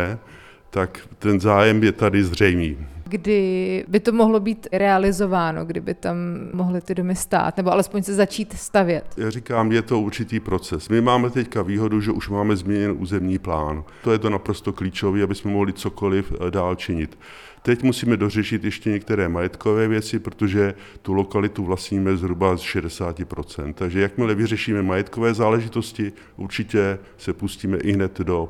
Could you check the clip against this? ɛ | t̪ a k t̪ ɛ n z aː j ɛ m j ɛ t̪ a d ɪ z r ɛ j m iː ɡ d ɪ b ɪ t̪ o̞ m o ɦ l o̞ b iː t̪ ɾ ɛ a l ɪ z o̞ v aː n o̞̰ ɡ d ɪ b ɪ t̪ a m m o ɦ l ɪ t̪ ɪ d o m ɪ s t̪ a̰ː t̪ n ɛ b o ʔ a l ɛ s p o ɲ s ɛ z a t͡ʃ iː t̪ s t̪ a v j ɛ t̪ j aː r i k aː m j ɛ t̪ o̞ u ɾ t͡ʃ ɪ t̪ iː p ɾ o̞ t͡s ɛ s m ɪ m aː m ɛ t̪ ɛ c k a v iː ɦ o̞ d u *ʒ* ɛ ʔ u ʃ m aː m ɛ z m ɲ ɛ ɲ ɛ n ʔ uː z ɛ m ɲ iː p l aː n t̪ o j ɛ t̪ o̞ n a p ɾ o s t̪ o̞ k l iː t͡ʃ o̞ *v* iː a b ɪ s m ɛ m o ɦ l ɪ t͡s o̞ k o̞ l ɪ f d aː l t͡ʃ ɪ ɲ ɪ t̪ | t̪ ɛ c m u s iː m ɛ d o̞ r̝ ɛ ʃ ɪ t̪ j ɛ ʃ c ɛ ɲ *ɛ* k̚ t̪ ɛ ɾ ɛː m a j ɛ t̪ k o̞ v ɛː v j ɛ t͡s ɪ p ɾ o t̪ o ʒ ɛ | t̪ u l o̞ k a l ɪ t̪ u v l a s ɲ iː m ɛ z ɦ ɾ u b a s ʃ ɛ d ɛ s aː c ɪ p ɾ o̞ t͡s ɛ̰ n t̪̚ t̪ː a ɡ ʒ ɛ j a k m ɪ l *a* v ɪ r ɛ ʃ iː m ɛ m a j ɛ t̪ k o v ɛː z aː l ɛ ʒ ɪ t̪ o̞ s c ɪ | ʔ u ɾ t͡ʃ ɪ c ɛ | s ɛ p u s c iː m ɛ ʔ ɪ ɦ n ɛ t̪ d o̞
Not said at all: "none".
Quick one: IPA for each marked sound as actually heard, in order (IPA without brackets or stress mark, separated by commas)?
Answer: ʒ, v, ɛ, ɛ